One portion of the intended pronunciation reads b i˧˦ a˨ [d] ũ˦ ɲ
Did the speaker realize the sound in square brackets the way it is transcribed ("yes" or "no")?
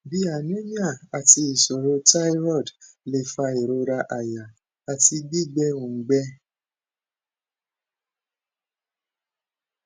no